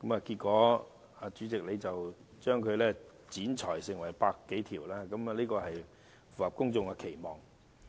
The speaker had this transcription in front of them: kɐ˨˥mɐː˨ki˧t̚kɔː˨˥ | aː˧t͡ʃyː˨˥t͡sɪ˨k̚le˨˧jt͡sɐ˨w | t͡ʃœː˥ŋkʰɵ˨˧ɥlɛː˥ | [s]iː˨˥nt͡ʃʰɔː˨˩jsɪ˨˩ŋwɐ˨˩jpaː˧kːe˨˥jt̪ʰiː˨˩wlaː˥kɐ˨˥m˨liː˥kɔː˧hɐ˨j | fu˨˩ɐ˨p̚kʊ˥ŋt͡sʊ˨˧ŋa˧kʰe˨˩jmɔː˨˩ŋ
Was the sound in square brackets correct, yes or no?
no